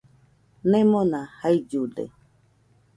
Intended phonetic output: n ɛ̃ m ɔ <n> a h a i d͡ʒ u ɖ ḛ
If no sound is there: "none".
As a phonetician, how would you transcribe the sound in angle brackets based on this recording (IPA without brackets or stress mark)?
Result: n